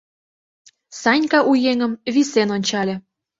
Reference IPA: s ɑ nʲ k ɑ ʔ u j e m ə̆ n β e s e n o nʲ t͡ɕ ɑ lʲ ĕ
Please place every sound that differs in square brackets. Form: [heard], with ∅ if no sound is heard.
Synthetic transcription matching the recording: s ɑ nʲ k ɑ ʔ u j e [ŋ] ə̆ [m] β [i] s e n o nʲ t͡ɕ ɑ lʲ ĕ